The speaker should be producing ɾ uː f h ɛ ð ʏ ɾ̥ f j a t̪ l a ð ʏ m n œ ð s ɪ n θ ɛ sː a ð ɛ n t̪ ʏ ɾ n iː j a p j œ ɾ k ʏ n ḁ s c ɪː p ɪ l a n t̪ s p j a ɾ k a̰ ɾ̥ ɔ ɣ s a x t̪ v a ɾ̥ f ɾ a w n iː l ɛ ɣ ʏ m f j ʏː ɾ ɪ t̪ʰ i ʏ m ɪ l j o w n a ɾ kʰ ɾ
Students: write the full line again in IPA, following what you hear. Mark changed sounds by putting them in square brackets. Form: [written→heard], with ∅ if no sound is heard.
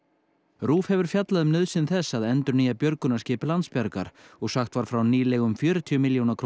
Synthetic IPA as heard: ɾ uː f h ɛ [ð→v] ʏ ɾ̥ f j a t̪ l a ð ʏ m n œ ð s ɪ n θ ɛ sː a ð ɛ n t̪ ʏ ɾ n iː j a p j œ ɾ k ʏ n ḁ s c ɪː p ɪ l a n t̪ s p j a ɾ k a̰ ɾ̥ ɔ ɣ s a x t̪ v a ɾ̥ f ɾ a w n iː l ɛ ɣ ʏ m f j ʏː ɾ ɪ t̪ʰ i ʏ m ɪ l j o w n a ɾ kʰ ɾ